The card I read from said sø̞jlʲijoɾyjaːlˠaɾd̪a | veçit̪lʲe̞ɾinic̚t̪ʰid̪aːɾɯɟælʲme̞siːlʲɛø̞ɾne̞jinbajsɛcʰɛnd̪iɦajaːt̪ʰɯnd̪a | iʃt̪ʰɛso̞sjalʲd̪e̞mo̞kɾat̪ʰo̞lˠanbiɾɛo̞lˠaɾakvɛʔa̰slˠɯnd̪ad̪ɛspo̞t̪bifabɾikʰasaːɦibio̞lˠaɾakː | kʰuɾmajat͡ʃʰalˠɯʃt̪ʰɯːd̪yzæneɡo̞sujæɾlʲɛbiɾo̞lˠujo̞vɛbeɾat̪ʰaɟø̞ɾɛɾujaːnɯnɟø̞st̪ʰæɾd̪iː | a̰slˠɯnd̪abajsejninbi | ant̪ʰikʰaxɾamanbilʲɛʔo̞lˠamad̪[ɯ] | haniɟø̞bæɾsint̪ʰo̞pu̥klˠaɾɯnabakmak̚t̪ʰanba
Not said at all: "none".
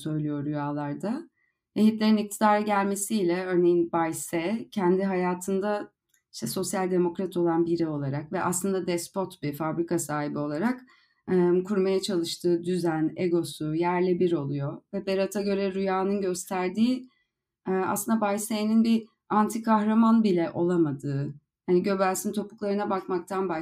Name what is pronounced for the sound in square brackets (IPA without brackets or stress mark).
ɯː